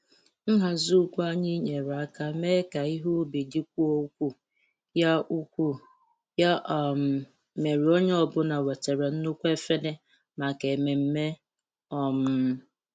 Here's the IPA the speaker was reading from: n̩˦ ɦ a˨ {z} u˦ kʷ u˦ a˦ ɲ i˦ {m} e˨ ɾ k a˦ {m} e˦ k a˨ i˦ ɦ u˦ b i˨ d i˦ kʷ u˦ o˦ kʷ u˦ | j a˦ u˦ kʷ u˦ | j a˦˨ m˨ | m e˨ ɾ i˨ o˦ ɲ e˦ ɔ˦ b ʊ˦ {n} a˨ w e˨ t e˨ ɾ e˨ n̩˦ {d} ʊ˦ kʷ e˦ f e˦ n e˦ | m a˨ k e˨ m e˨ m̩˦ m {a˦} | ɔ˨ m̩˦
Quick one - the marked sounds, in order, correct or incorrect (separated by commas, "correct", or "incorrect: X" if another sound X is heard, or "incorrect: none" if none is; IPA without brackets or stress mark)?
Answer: correct, incorrect: ɲ, correct, correct, incorrect: n, incorrect: e˦